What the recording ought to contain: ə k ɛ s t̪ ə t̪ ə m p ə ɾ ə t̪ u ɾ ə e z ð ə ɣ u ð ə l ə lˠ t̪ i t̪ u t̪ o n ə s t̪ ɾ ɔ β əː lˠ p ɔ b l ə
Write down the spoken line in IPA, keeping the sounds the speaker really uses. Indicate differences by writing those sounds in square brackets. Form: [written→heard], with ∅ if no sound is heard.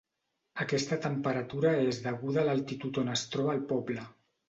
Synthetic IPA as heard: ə k ɛ s t̪ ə t̪ ə m p ə ɾ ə t̪ u ɾ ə e z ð ə ɣ u ð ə l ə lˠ t̪ i t̪ u t̪ o n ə s t̪ ɾ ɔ β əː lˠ p ɔ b l ə